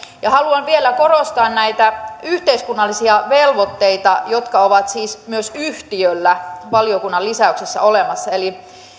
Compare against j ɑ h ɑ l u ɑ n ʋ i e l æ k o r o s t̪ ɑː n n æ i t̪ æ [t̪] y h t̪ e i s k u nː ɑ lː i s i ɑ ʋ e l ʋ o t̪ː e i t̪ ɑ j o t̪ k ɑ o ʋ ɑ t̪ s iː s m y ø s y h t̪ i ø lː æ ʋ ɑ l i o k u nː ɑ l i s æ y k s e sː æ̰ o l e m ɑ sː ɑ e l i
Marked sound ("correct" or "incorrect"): incorrect